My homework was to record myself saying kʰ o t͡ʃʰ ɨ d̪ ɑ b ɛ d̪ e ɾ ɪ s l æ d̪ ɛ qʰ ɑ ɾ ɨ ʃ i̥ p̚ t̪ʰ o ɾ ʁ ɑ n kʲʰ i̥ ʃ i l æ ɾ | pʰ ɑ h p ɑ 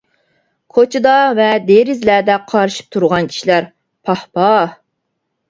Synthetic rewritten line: kʰ o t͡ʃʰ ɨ d̪ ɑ v ɛ d̪ e ɾ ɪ z l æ d̪ ɛ qʰ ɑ ɾ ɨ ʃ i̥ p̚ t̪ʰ u ɾ ʁ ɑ n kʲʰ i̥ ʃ i l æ ɾ | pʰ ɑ h p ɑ